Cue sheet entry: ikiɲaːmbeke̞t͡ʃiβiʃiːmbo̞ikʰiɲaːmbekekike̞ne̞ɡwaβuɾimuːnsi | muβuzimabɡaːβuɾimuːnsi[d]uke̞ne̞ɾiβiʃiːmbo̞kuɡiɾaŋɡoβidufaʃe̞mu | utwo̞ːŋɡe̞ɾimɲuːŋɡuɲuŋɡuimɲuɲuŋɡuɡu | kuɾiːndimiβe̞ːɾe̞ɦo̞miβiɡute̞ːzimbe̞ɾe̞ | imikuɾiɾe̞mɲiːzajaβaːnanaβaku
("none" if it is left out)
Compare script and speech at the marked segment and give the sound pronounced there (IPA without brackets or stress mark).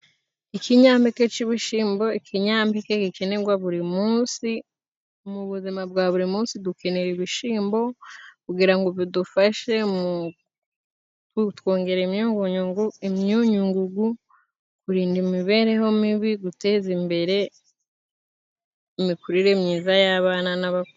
d